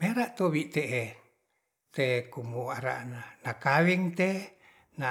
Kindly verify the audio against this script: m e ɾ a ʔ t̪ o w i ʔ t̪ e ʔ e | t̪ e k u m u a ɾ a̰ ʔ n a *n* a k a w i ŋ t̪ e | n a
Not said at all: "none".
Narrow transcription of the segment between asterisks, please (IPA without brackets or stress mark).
n